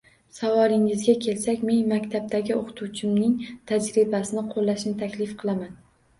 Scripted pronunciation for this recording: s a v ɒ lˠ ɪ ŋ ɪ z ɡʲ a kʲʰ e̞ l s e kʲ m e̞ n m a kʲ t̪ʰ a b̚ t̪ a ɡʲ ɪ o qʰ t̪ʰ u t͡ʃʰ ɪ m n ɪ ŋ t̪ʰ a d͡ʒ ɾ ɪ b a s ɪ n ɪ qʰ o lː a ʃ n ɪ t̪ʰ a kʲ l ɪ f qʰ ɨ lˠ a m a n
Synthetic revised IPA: s a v ɒ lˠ ɪ ŋ ɪ z ɡʲ a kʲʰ e̞ l s a kʲ m e̞ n m a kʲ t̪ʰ a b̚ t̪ a ɡʲ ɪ o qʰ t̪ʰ u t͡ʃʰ ɪ m n ɪ ŋ t̪ʰ a d͡ʒ ɾ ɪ b a s ɪ n ɪ qʰ o lː a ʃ n ɪ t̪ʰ a kʲ l ɪ f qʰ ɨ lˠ a m a n